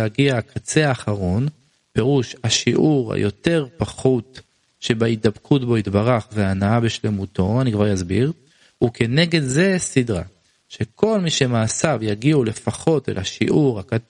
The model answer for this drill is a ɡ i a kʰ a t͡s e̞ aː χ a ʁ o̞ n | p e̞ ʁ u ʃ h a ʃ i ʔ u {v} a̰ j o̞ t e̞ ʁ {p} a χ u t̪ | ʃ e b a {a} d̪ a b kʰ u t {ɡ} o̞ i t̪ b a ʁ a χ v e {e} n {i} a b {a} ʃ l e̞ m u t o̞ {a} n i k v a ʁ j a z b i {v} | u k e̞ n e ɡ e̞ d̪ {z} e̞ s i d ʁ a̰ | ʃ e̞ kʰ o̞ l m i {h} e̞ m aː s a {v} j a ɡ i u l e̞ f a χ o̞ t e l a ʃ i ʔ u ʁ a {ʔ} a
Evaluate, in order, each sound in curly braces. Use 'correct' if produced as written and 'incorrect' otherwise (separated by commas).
incorrect, correct, incorrect, incorrect, incorrect, incorrect, incorrect, correct, incorrect, correct, incorrect, correct, incorrect